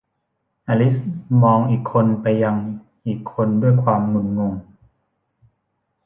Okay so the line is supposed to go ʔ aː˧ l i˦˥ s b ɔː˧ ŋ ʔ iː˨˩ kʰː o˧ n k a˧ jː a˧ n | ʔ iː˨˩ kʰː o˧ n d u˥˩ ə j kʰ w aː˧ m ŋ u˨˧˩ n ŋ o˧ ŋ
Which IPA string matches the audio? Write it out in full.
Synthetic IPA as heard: ʔ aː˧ l i˦˥ s m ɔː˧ ŋ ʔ iː˨˩ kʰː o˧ n p a˧ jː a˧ ŋ | ʔ iː˨˩ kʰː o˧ n d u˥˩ ə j kʰ w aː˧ m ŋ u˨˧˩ n ŋ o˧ ŋ